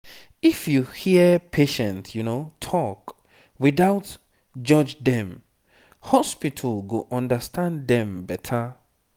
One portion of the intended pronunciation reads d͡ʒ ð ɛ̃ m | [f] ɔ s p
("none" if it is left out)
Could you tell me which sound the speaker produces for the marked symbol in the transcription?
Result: h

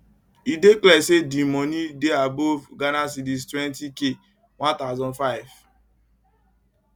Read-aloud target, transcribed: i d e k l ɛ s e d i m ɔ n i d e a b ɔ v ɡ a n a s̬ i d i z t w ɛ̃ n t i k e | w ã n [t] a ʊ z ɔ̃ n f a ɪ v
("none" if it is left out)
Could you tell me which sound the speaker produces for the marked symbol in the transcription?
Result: t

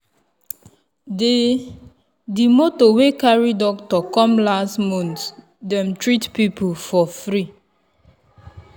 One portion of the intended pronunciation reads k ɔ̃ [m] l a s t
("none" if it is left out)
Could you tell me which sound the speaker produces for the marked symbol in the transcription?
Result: m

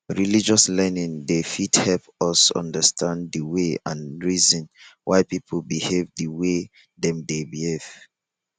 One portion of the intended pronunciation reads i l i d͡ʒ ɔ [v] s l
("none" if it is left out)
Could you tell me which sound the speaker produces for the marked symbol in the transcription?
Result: none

